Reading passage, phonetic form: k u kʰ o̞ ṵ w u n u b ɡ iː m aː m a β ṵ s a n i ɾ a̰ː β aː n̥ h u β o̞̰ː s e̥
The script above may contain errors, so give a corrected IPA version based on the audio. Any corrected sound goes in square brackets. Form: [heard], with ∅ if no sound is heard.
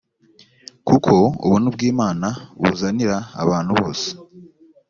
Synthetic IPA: k u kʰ o̞ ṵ [β] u n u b ɡ iː m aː [n] a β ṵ [z] a n i ɾ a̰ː β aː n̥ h u β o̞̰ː s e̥